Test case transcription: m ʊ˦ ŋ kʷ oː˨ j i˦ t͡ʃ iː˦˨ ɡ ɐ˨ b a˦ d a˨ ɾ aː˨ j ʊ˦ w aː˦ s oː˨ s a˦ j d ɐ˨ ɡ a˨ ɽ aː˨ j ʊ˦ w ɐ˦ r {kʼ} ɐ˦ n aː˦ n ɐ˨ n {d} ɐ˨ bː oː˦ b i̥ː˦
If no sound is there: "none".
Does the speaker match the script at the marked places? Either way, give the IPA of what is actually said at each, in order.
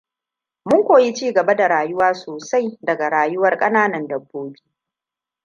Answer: kʼ, d

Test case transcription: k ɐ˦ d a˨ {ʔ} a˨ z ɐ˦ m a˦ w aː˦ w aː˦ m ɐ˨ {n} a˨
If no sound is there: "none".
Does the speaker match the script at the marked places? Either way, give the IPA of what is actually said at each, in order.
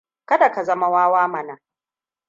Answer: k, n

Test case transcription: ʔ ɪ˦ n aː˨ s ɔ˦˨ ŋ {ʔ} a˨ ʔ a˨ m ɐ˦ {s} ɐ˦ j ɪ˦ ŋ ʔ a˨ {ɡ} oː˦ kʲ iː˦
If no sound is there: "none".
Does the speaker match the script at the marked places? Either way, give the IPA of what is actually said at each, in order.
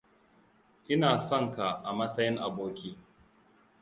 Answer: k, s, b

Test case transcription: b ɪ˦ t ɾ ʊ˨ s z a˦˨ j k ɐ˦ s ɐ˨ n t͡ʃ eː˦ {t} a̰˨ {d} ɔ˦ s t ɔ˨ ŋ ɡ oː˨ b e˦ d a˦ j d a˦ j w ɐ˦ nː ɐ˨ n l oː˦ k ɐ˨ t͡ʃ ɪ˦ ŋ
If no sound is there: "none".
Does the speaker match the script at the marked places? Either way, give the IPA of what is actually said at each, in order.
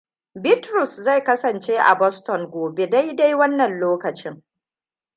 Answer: ʔ, b

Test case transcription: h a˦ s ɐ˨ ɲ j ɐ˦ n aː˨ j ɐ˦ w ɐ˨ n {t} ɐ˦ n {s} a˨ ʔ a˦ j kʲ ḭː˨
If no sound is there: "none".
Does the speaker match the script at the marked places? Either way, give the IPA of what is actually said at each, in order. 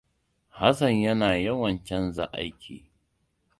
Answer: t͡ʃ, z

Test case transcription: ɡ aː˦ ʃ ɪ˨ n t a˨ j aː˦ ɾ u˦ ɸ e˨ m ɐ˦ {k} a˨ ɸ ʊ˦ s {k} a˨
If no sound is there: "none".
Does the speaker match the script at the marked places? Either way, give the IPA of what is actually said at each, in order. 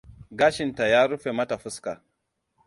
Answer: t, k

